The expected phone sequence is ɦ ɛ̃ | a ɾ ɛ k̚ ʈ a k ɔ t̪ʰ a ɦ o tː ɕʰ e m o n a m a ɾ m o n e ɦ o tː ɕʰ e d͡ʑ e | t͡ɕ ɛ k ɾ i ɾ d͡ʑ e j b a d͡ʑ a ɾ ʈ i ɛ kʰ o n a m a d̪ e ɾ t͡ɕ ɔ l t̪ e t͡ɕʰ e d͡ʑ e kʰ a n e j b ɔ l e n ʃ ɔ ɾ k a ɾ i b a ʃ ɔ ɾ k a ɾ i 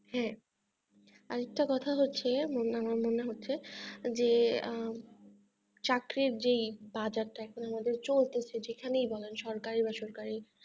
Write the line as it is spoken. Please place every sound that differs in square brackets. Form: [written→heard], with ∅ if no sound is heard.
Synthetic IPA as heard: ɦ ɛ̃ | a ɾ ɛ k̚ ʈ a k ɔ t̪ʰ a ɦ o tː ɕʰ e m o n a m a ɾ m o n e ɦ o tː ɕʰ e d͡ʑ e | t͡ɕ [ɛ→a] k ɾ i ɾ d͡ʑ e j b a d͡ʑ a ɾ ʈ [i→a] ɛ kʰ o n a m a d̪ e ɾ t͡ɕ [ɔ→o] l t̪ e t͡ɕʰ e d͡ʑ e kʰ a n e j b ɔ l e n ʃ ɔ ɾ k a ɾ i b a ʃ ɔ ɾ k a ɾ i